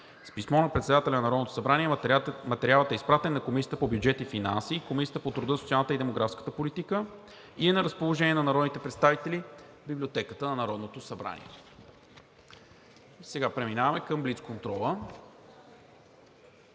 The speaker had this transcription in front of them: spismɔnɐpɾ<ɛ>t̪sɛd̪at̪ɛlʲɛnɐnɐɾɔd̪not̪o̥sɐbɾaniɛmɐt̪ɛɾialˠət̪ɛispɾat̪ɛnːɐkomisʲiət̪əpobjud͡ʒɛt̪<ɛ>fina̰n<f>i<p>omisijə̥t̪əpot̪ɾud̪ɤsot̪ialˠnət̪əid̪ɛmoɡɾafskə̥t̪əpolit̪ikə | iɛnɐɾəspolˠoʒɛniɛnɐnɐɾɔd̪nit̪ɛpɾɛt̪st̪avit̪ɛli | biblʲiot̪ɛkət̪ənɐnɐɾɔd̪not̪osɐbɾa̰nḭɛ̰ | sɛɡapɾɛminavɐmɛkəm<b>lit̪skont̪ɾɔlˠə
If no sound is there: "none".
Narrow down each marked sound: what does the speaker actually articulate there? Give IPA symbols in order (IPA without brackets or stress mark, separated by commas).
ɛ, i, s, k, b